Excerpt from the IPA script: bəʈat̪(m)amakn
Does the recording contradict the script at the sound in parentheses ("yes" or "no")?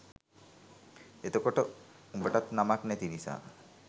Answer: yes